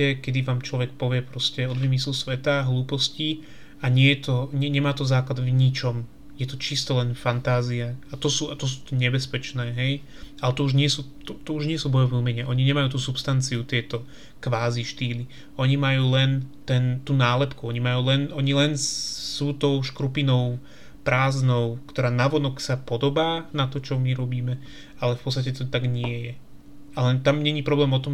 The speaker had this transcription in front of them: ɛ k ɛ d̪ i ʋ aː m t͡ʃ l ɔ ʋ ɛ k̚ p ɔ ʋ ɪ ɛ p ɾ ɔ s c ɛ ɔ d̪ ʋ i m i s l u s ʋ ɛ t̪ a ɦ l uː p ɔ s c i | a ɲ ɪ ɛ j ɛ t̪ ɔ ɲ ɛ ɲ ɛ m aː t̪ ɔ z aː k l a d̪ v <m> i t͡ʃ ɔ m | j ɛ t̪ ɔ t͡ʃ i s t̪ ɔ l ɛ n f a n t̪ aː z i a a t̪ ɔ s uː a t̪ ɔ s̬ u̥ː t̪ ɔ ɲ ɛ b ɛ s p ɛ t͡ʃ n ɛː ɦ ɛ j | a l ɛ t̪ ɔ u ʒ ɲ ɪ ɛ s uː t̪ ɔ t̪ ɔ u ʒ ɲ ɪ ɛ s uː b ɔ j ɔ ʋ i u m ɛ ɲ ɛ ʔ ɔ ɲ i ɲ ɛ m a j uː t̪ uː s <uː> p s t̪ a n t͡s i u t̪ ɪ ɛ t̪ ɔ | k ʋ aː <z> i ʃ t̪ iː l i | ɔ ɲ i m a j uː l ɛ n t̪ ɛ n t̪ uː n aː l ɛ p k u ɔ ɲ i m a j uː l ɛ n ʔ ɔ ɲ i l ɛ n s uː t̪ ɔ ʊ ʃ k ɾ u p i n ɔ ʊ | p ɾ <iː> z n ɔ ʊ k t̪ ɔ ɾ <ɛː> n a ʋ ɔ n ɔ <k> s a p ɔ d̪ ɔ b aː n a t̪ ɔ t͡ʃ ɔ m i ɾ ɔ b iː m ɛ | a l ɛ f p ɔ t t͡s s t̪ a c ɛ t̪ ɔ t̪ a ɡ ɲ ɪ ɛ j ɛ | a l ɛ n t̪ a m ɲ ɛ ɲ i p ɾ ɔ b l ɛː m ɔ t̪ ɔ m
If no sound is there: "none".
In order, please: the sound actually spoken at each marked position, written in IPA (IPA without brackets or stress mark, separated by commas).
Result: ɲ, u, z, aː, aː, k